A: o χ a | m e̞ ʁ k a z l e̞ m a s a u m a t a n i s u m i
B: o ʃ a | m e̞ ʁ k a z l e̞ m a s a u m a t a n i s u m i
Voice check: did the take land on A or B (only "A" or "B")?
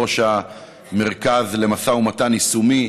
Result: B